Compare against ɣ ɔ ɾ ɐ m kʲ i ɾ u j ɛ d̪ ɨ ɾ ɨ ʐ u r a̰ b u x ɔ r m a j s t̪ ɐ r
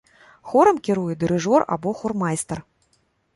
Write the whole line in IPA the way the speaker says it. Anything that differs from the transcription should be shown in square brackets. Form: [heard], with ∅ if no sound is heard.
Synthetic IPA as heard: [x] ɔ ɾ ɐ m kʲ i ɾ u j ɛ d̪ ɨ ɾ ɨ ʐ [ɔ] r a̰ b [ɔ] x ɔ r m a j s t̪ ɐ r